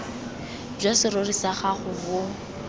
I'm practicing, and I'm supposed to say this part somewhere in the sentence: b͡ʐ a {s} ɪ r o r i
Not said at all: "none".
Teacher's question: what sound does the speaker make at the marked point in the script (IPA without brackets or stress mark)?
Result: s